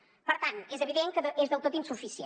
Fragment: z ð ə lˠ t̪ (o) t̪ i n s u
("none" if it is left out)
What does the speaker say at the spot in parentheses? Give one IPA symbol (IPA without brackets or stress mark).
o